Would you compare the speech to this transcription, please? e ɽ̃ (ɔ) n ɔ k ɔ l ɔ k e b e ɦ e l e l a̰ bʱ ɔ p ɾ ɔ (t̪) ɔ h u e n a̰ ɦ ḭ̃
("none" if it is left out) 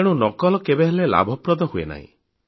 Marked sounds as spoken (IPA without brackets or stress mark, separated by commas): u, d̪